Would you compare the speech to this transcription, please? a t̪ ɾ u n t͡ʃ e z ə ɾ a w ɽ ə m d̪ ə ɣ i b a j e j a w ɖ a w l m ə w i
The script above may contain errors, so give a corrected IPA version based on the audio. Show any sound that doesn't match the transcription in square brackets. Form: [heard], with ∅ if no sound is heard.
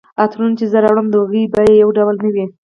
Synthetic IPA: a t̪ ɾ u n t͡ʃ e z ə ɾ a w ɽ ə m d̪ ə ɣ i b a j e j a w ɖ a w l [n] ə w i